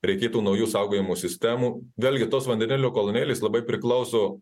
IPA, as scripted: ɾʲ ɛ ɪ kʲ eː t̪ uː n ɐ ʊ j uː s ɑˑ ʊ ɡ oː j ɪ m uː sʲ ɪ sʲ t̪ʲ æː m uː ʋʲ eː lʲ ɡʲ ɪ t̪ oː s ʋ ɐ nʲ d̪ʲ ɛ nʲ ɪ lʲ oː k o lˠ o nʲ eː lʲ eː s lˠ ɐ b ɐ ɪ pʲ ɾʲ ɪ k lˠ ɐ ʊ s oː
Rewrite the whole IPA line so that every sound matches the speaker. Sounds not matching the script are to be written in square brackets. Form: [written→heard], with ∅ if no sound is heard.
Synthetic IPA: ɾʲ ɛ ɪ kʲ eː t̪ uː n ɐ ʊ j uː s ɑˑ ʊ ɡ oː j ɪ m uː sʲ ɪ sʲ t̪ʲ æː m uː ʋʲ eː lʲ ɡʲ ɪ t̪ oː s ʋ ɐ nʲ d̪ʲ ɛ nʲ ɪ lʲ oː k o lˠ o nʲ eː lʲ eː s lˠ ɐ b ɐ ɪ pʲ ɾʲ ɪ k lˠ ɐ ʊ s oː